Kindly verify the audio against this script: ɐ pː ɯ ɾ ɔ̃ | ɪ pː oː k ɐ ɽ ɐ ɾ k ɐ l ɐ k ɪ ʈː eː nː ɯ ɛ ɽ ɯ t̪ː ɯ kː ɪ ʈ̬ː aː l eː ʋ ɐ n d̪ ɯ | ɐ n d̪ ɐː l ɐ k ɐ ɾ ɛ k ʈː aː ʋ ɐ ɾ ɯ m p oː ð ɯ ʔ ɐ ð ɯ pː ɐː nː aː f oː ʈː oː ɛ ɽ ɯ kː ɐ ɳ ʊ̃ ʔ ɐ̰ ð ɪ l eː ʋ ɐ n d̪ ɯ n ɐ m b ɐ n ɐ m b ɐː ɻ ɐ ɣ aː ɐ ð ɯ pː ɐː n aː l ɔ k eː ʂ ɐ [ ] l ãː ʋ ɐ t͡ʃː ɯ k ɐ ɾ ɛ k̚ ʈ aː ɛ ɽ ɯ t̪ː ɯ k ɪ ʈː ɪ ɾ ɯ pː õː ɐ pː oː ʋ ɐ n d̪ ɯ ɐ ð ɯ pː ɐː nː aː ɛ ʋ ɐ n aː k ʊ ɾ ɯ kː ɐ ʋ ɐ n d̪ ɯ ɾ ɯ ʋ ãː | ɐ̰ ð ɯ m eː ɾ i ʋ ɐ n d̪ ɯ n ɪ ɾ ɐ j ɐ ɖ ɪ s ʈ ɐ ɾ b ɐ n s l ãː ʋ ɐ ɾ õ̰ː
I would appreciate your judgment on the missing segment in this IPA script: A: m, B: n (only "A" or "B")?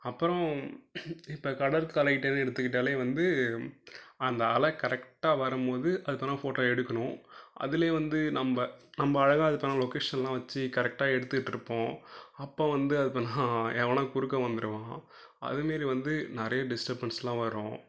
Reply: B